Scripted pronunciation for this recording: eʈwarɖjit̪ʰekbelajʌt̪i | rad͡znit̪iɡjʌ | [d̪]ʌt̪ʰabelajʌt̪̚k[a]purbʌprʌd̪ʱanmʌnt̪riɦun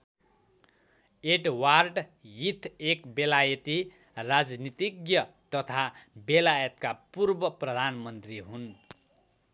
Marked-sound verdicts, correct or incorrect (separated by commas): incorrect, correct